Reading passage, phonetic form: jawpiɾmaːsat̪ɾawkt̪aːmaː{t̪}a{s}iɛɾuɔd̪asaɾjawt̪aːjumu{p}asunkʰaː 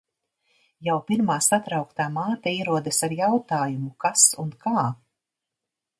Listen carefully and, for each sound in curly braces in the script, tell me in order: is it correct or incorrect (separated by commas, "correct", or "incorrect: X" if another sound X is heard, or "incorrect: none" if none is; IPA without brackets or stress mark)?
correct, incorrect: none, incorrect: k